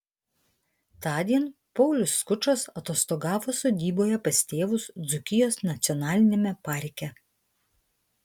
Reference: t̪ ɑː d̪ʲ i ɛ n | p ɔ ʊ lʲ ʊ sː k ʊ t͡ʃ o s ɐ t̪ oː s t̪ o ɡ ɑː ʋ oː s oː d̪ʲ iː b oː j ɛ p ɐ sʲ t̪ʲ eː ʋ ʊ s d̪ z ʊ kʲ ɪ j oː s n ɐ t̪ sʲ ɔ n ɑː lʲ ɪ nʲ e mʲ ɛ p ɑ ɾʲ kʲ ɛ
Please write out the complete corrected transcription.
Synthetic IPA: t̪ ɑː d̪ʲ i ɛ n | p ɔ ʊ lʲ ʊ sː k ʊ t͡ʃ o s ɐ t̪ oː s t̪ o ɡ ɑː ʋ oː s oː d̪ʲ iː b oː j ɛ p ɐ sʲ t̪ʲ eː ʋ ʊ s d̪ z ʊ kʲ ɪ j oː s n ɐ t̪ sʲ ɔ n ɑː lʲ ɪ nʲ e mʲ ɛ p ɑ ɾʲ kʲ ɛ